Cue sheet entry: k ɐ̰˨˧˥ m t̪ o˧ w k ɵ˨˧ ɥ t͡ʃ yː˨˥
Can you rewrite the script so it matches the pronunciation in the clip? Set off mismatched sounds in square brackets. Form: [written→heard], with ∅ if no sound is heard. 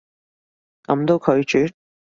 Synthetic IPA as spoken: k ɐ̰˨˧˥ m t̪ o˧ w [k→kʰ] ɵ˨˧ ɥ t͡ʃ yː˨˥